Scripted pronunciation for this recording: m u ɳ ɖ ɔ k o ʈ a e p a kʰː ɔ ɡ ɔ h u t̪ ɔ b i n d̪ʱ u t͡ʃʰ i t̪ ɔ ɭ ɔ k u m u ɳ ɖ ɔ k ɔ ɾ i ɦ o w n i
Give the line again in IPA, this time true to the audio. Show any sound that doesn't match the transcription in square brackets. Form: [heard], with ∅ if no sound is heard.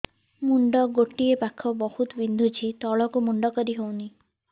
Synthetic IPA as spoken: m u ɳ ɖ ɔ [ɡ] o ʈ [i] e p a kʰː ɔ [b] ɔ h u t̪ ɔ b i n d̪ʱ u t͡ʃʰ i t̪ ɔ ɭ ɔ k u m u ɳ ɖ ɔ k ɔ ɾ i ɦ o w n i